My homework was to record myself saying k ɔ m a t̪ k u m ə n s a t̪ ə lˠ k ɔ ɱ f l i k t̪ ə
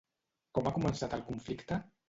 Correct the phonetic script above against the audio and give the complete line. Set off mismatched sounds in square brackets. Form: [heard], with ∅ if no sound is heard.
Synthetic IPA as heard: k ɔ m a [∅] k u m ə n s a t̪ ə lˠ k [u] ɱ f l i k t̪ ə